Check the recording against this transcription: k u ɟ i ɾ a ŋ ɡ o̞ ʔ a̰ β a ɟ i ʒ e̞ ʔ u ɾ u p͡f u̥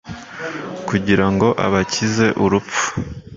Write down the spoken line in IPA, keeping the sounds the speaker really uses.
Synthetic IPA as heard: k u ɟ i ɾ a ŋ ɡ o̞ ʔ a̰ β a c i z e̞ ʔ u ɾ u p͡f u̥